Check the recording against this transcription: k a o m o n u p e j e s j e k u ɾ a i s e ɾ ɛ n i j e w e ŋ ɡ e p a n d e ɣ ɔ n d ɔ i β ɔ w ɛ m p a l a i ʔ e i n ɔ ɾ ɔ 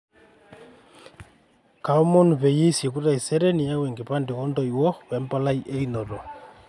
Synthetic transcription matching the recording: k a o m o n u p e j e s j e k u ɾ a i s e ɾ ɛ n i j a w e ŋ ɡ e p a n d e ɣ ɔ n d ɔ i w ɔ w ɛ m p a l a i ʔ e i n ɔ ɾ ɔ